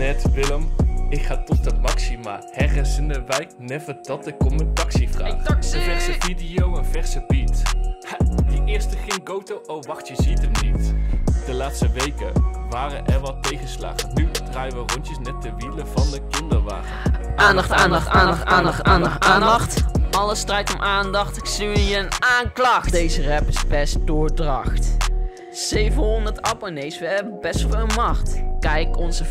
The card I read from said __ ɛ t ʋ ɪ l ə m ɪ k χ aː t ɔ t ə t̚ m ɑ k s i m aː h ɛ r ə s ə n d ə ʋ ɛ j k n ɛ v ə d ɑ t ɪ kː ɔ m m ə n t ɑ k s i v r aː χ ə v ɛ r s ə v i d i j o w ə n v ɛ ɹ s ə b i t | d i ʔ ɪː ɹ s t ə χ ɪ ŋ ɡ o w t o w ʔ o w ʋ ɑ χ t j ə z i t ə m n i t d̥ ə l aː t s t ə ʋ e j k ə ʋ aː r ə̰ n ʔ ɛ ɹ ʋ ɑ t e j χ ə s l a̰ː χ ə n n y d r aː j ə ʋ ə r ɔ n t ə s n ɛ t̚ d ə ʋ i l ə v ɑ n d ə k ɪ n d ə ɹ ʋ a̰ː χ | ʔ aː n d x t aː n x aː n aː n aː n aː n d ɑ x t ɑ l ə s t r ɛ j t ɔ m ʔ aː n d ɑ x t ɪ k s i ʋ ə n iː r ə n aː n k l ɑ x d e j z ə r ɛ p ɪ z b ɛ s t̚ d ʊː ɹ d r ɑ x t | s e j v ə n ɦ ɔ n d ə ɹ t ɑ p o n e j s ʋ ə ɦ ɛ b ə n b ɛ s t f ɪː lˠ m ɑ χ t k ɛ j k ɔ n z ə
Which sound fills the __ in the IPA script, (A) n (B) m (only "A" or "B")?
A